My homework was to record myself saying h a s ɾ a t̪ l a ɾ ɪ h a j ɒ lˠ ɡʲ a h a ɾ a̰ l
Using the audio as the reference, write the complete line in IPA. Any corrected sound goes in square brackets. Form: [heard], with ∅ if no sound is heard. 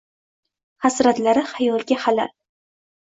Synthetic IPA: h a s ɾ a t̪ l a ɾ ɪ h a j ɒ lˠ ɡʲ a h a [l] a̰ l